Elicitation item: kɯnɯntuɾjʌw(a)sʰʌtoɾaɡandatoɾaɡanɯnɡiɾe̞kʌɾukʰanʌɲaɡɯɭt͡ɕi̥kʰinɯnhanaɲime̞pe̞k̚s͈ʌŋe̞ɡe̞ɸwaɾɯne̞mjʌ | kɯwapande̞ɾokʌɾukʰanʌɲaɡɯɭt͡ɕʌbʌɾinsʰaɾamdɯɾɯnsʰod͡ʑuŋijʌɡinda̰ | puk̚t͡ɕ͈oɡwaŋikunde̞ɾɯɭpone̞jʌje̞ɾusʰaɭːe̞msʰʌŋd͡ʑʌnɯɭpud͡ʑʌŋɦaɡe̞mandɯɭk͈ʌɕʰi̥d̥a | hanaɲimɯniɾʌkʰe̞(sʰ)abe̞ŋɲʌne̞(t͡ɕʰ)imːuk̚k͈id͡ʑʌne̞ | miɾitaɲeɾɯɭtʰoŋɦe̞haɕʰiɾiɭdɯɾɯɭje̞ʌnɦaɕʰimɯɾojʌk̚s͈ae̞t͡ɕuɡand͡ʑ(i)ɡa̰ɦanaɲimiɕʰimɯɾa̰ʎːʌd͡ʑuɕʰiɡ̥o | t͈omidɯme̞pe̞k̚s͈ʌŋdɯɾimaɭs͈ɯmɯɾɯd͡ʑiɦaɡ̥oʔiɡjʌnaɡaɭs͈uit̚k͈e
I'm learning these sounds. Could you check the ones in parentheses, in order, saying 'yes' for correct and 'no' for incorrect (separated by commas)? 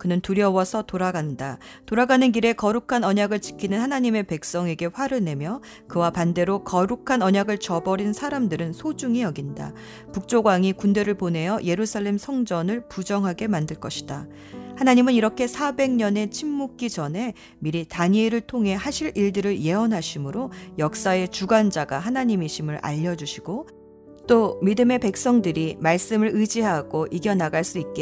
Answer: no, yes, yes, no